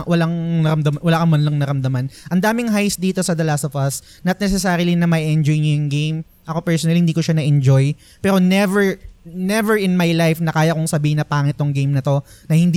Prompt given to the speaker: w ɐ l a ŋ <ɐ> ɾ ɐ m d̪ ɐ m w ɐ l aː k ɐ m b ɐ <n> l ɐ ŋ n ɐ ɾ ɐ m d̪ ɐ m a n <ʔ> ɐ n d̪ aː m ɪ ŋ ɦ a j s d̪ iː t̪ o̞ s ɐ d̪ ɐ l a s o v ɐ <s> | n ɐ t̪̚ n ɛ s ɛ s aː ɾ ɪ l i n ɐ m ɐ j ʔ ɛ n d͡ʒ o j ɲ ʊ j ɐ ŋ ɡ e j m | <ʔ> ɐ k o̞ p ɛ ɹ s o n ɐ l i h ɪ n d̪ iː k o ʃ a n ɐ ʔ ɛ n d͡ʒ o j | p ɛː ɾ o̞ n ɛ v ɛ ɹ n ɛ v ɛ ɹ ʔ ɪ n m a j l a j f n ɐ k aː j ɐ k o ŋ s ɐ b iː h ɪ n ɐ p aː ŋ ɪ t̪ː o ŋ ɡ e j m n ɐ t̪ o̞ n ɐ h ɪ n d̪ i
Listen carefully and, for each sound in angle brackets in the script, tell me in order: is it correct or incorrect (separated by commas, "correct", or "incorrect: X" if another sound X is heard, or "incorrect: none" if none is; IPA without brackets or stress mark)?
correct, correct, correct, correct, correct